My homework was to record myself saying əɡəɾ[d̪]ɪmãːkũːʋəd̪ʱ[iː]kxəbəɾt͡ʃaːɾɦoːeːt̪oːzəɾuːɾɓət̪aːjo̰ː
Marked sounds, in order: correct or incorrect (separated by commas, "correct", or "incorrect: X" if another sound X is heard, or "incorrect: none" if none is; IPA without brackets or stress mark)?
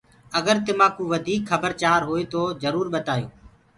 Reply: incorrect: t̪, correct